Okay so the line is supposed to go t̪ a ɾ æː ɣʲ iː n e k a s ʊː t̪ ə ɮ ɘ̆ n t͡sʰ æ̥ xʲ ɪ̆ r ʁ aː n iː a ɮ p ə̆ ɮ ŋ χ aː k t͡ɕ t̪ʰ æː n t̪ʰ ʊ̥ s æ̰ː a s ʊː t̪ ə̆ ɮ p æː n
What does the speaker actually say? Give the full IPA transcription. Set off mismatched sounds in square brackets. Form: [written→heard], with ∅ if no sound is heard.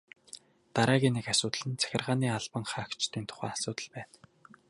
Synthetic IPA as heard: t̪ a ɾ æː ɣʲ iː n e k a s ʊː t̪ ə ɮ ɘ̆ n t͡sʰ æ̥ xʲ ɪ̆ r ʁ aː n iː a ɮ p ə̆ [ɮ→∅] ŋ χ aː k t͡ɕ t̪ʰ [æː→iː] n t̪ʰ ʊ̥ [s→χ] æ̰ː a s ʊː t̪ ə̆ ɮ p æː n